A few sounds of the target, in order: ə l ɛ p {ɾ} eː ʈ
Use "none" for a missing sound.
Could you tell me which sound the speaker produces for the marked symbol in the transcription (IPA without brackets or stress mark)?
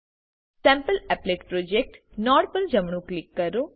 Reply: l